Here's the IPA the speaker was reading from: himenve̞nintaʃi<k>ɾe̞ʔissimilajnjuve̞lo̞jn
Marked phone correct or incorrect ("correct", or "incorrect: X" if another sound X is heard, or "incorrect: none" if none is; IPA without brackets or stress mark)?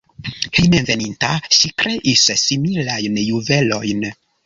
correct